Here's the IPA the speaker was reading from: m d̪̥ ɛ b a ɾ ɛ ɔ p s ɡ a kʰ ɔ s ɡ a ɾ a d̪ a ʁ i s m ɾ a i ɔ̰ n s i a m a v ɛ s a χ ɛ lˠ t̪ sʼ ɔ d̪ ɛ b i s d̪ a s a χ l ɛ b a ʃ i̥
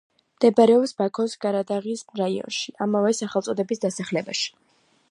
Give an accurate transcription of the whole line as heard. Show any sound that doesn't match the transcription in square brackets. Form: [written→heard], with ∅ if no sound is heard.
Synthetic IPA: m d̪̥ ɛ b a ɾ ɛ ɔ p s [ɡ→b] a kʰ ɔ s ɡ a ɾ a d̪ a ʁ i s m ɾ a i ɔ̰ n [s→ʃ] i a m a v ɛ s a χ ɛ lˠ t̪ sʼ ɔ d̪ ɛ b i s d̪ a s a χ l ɛ b a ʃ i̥